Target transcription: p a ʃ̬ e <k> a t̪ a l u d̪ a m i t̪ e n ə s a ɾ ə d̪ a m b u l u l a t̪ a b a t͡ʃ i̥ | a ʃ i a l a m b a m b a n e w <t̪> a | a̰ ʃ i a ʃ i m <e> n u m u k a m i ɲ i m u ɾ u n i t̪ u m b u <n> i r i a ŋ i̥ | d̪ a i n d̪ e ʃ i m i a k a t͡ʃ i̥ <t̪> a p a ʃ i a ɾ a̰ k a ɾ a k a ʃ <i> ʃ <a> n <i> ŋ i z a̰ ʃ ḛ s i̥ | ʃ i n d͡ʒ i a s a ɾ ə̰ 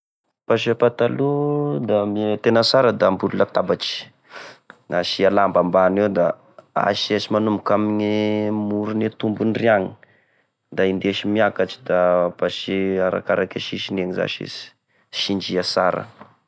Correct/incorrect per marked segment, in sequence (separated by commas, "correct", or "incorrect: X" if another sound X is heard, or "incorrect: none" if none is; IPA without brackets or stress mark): incorrect: p, incorrect: d̪, incorrect: a, correct, incorrect: d̪, correct, incorrect: i, incorrect: e